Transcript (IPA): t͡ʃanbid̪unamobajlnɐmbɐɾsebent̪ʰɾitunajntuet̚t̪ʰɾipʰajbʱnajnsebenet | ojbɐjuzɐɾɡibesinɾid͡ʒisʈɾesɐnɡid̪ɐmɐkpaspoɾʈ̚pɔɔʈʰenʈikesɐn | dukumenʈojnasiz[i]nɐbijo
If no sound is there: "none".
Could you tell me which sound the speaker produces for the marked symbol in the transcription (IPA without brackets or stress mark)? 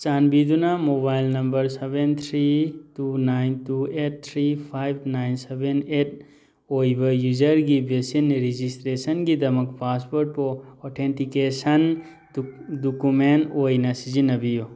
i